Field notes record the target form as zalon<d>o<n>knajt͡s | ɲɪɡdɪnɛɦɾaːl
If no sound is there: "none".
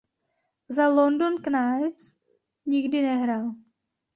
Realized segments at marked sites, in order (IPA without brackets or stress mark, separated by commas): d, n